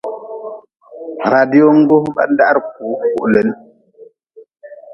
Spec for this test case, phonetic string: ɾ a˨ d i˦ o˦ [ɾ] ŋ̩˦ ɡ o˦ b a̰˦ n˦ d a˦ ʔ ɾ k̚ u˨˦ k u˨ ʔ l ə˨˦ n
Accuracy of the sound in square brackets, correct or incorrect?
incorrect